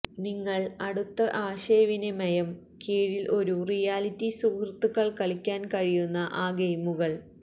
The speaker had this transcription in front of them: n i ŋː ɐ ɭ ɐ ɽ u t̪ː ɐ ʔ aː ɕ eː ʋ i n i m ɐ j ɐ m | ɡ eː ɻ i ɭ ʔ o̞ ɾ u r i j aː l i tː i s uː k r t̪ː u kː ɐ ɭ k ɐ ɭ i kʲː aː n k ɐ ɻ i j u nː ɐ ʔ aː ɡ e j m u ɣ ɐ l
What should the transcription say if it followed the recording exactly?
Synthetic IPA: n i ŋː ɐ ɭ ɐ ɽ u t̪ː ɐ ʔ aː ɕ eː ʋ i n e m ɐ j ɐ m | k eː ɻ i l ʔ o̞ ɾ u r i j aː l i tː i s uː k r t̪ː u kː ɐ ɭ k ɐ ɭ i kʲː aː n k ɐ ɻ i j u nː ɐ ʔ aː ɡ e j m u ɣ ɐ ɭ